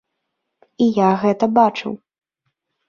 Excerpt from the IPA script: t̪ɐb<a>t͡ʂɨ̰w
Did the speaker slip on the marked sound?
no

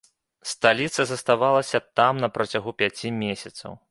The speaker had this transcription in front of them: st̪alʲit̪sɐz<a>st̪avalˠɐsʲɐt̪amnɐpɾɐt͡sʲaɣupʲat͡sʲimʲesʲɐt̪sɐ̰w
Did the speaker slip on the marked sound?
yes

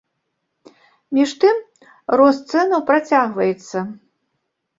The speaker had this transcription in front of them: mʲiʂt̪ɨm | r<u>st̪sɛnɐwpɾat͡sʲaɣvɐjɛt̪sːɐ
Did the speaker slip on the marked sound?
yes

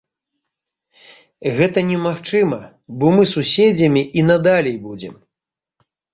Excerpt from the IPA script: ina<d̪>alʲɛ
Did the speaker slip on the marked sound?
no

